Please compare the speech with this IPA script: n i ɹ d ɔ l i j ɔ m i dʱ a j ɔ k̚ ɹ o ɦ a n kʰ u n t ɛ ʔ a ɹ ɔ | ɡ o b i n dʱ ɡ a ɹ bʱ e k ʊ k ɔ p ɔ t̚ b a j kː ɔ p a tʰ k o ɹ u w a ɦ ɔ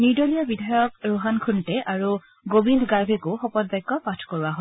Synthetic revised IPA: n i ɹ d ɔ l i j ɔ b i dʱ a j ɔ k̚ ɹ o ɦ a n kʰ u n t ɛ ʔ a ɹ u | ɡ o b i n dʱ ɡ a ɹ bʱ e k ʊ x ɔ p ɔ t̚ b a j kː ɔ p a tʰ k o ɹ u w a ɦ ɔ